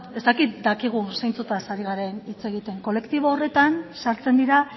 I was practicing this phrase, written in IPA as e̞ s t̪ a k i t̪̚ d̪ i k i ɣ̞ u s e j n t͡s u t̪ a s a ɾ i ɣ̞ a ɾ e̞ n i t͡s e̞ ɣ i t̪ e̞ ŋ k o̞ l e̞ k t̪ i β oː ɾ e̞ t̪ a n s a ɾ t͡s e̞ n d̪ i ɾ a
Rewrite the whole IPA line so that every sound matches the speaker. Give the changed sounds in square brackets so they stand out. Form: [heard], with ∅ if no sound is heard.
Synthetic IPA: e̞ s t̪ a k i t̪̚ d̪ [a] k i ɣ̞ u s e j n t͡s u t̪ a s a ɾ i ɣ̞ a ɾ e̞ n i t͡s e̞ ɣ i t̪ e̞ ŋ k o̞ l e̞ k t̪ i β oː [r] e̞ t̪ a n s a ɾ t͡s e̞ n d̪ i ɾ a